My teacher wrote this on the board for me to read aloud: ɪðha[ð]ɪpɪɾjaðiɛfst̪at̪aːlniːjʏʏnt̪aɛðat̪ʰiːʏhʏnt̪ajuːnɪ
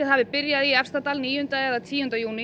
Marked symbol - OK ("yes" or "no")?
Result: no